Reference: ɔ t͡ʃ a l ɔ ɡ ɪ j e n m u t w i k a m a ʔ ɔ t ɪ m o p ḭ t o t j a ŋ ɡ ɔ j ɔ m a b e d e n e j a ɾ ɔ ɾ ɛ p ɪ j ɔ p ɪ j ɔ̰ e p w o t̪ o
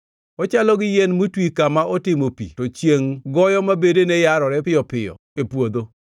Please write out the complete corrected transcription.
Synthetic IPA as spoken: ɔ t͡ʃ a l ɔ ɡ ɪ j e n m u t w i k a m a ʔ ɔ t ɪ m o p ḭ t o t͡ʃ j e ŋ ɡ ɔ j ɔ m a b e d e n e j a ɾ ɔ ɾ ɛ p ɪ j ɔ p ɪ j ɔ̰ e p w o d̪ o

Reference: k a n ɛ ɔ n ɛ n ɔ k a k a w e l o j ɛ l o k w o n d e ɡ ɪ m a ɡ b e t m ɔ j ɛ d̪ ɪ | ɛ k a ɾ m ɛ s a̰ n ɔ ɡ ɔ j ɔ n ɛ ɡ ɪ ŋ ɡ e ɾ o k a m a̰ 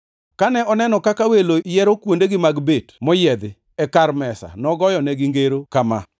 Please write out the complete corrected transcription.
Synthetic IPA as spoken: k a n ɛ ɔ n ɛ n ɔ k a k a w e l o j ɛ ɾ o k w o n d e ɡ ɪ m a ɡ b e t m ɔ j ɛ d̪ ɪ | ɛ k a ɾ m ɛ s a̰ n ɔ ɡ ɔ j ɔ n ɛ ɡ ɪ ŋ ɡ e ɾ o k a m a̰

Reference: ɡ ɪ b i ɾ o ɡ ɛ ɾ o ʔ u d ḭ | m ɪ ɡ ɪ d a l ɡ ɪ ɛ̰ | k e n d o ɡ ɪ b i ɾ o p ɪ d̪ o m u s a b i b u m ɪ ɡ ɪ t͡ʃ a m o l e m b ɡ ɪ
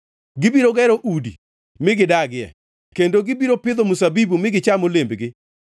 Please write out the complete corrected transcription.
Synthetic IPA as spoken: ɡ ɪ b i ɾ o ɡ ɛ ɾ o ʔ u d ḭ | m ɪ ɡ ɪ d a ɡ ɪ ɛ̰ | k e n d o ɡ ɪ b i ɾ o p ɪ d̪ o m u s a b i b u m ɪ ɡ ɪ t͡ʃ a m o l e m b ɡ ɪ

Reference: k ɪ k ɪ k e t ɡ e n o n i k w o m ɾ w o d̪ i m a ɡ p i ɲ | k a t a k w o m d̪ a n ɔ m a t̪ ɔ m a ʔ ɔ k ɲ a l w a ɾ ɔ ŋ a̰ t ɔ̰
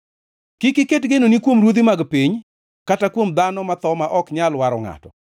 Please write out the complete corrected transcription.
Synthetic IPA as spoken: k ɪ k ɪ k e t ɡ e n o n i k w o m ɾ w o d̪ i m a ɡ p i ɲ | k a t a k w o m d̪ a n ɔ m a t̪ ɔ m a ʔ ɔ k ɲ a l w a ɾ ɔ ŋ a̰ t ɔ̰

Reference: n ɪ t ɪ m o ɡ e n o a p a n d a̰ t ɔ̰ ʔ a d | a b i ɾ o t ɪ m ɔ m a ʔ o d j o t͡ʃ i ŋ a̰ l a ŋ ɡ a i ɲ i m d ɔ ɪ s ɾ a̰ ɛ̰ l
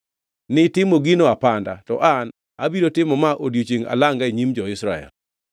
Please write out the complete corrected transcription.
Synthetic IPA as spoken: n ɪ t ɪ m o ɡ i n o a p a n d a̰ t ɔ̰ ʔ a n | a b i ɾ o t ɪ m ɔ m a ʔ o d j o t͡ʃ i ŋ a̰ l a ŋ ɡ a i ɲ i m d͡ʒ ɔ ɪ s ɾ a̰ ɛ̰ l

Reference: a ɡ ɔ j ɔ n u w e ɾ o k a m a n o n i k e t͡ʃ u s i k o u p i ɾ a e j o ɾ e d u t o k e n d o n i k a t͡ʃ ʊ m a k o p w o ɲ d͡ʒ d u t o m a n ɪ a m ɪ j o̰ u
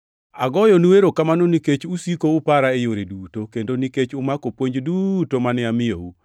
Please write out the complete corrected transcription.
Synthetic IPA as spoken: a ɡ ɔ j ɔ n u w e ɾ o k a m a n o n i k e t͡ʃ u s i k o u p a ɾ a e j o ɾ e d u t o k e n d o n i k e t͡ʃ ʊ m a k o p w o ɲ d͡ʒ d u t o m a n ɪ a m ɪ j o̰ u

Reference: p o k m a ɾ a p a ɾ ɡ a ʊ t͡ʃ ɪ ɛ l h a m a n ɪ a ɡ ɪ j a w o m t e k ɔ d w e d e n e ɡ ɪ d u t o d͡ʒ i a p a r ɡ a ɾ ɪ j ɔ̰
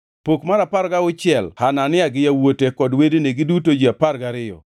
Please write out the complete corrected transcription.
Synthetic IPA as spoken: p o k m a ɾ a p a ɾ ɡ a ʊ t͡ʃ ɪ ɛ l h a n a n ɪ a ɡ ɪ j a w o t e k ɔ d w e d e n e ɡ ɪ d u t o d͡ʒ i a p a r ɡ a ɾ ɪ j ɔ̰

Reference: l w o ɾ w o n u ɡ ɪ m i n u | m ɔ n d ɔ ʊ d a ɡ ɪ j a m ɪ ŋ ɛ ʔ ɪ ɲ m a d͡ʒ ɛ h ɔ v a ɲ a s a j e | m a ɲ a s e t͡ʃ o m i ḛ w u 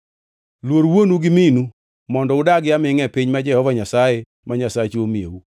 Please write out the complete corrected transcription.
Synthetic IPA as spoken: l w o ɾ w o n u ɡ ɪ m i n u | m ɔ n d ɔ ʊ d a ɡ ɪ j a m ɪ ŋ ɛ p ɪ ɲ m a d͡ʒ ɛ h ɔ v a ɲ a s a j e | m a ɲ a s a t͡ʃ o m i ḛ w u

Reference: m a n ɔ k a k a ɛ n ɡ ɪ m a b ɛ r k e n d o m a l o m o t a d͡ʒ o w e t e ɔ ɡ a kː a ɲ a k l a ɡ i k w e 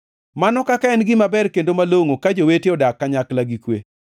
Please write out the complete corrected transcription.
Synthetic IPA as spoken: m a n ɔ k a k a ɛ n ɡ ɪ m a b ɛ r k e n d o m a l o ŋ o k a d͡ʒ o w e t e ɔ d a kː a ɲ a k l a ɡ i k w e

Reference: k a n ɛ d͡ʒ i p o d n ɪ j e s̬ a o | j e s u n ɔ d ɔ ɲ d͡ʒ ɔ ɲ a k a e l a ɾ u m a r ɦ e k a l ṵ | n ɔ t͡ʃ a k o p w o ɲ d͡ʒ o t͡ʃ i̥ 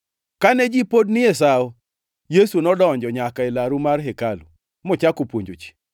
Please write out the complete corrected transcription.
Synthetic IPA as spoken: k a n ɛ d͡ʒ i p o d n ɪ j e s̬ a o | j e s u n ɔ d ɔ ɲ d͡ʒ ɔ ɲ a k a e l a ɾ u m a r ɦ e k a l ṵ | m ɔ t͡ʃ a k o p w o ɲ d͡ʒ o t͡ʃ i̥

